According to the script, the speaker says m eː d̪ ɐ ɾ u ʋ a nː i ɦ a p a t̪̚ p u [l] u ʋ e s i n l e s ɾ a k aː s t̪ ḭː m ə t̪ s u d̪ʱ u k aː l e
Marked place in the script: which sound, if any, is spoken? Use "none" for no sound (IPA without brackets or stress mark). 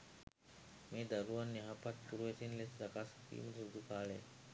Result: ɾ